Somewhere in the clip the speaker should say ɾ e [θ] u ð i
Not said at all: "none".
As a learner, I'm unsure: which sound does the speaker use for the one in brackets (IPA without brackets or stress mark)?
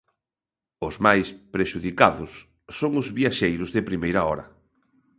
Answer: ʃ